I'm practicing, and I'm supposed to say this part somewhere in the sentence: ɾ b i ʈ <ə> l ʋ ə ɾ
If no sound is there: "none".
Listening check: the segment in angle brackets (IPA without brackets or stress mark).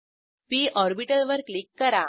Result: ə